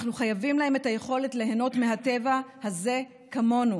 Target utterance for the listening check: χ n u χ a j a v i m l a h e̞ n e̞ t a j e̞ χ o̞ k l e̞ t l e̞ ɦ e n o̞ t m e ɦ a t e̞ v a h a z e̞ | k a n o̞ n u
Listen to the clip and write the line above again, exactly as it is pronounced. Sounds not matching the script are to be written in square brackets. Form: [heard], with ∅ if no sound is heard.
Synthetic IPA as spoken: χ n u χ a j a v i m l a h e̞ [m] e̞ t a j e̞ χ o̞ [∅] l e̞ t l e̞ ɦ e n o̞ t m e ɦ a t e̞ v a h a z e̞ | k a [m] o̞ n u